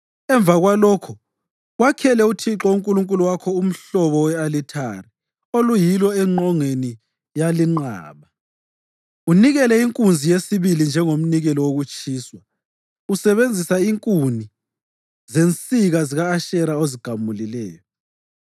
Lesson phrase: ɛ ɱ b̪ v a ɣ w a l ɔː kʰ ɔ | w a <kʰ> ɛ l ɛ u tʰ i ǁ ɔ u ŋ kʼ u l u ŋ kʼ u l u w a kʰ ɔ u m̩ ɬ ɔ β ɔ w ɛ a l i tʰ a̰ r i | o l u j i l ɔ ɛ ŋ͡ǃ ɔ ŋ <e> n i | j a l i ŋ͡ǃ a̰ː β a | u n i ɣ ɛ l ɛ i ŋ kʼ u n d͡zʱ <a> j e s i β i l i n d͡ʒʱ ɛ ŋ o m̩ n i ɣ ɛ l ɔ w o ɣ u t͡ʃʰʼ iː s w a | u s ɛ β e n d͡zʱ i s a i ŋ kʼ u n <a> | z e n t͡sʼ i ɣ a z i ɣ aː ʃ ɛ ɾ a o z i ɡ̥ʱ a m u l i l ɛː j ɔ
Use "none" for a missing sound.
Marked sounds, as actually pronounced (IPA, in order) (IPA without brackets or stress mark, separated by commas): kʰ, e, i, i